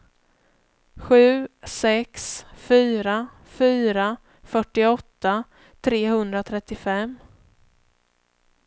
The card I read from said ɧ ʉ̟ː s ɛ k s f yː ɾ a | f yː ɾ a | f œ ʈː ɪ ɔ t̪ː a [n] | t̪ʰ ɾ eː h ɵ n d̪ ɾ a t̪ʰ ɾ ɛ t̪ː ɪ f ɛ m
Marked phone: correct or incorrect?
incorrect